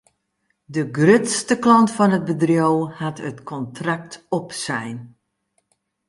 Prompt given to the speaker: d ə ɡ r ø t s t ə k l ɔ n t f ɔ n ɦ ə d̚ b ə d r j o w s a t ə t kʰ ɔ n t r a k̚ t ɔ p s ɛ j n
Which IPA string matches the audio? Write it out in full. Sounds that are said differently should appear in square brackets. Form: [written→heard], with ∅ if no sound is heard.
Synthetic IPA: d ə ɡ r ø t s t ə k l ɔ n t f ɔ n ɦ ə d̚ b ə d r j o w [s→h] a t ə t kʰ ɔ n t r a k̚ t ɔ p s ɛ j n

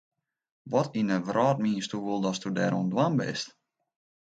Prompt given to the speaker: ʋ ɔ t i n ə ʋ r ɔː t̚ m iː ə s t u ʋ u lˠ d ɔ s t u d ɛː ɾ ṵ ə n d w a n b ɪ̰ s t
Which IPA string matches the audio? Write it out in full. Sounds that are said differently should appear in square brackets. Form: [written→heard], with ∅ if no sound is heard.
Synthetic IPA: ʋ ɔ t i n ə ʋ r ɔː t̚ m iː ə s t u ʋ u lˠ d ɔ s t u d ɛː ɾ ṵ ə n d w a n b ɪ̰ s t

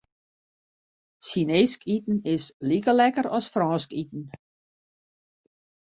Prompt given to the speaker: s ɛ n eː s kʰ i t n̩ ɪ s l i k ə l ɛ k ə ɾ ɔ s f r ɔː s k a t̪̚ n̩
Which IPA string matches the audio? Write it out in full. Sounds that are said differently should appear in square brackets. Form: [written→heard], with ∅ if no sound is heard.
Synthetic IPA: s [ɛ→i] n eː s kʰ i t n̩ ɪ s l i k ə l ɛ k ə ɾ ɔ s f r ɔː s k [a→i] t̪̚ n̩

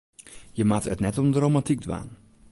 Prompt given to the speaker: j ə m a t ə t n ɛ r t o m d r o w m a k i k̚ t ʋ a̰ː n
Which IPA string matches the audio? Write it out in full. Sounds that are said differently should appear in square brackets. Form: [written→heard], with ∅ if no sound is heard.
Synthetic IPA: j ə m a t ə t n ɛ [r→∅] t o m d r o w m a [k→t] i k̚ [t→d] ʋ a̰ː n

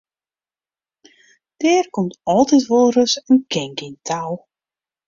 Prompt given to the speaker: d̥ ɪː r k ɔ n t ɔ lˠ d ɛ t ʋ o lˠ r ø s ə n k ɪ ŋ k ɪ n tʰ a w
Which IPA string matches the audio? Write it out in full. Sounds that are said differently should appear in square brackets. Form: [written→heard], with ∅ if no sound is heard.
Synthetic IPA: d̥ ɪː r k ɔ [n→m] t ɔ lˠ [d→t] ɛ t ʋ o lˠ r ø s ə n k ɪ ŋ k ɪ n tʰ a w

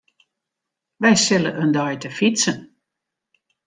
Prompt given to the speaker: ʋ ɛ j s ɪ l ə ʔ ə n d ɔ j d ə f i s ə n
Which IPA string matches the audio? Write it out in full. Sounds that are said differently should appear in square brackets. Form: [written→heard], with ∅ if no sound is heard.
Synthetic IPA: ʋ ɛ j s ɪ l ə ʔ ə n d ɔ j [d→t] ə f i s ə n

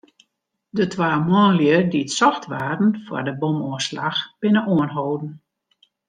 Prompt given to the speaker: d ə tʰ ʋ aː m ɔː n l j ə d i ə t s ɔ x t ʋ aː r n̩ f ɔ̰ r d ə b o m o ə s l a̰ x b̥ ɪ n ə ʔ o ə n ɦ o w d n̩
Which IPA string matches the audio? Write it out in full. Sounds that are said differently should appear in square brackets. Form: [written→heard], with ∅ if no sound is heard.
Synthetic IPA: d ə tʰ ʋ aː m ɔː n l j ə d i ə t s ɔ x t ʋ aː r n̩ f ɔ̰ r d ə b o m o ə s l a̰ x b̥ ɪ n ə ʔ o ə n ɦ o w d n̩

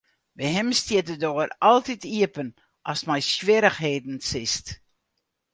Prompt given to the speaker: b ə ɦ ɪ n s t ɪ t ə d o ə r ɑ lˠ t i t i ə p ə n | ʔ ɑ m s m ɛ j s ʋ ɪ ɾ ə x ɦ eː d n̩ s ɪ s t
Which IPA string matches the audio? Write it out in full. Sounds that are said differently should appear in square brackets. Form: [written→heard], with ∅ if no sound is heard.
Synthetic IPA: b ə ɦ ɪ [n→m] s t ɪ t ə d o ə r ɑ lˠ t i t i ə p ə n | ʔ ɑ [m→∅] s m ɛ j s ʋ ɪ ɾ ə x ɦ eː d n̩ s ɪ s t

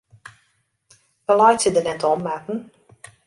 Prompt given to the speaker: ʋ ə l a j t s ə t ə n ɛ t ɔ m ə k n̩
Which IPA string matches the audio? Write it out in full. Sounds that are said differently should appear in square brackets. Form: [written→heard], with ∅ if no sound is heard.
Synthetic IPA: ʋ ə l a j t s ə [t→d] ə n ɛ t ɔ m [ə→a] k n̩

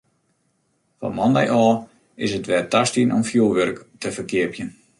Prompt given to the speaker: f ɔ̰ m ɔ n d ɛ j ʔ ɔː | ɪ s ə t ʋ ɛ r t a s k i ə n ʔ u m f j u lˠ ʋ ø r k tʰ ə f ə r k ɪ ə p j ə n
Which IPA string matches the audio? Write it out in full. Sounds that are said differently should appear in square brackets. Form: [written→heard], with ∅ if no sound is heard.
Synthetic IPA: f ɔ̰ m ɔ n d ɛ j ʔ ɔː | ɪ s ə t ʋ ɛ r t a s [k→t] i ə n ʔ [u→ɔ] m f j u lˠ ʋ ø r k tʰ ə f ə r k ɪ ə p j ə n

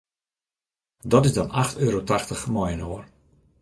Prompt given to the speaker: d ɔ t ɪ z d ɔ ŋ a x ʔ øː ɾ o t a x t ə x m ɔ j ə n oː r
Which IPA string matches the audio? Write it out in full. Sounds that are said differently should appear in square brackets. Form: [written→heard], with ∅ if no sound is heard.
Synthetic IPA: d ɔ t ɪ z d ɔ [ŋ→n] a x [ʔ→t] øː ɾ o t a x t ə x m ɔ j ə n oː r

